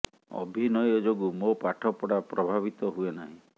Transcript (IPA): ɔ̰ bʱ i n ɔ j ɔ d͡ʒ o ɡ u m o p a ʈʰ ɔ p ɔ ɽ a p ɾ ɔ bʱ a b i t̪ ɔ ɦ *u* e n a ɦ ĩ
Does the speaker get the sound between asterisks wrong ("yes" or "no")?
no